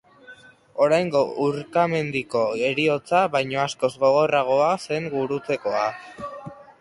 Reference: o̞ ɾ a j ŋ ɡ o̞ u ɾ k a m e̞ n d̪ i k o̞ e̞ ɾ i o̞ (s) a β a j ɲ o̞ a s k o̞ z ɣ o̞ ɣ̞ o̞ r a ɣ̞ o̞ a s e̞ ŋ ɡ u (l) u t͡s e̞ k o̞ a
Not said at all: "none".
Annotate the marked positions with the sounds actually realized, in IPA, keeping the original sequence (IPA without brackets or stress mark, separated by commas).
t͡s, ɾ